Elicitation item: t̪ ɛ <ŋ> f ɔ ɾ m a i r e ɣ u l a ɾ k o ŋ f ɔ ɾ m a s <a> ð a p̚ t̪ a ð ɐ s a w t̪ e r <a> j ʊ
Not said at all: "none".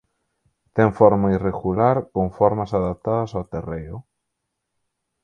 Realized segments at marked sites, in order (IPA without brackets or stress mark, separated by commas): ŋ, a, e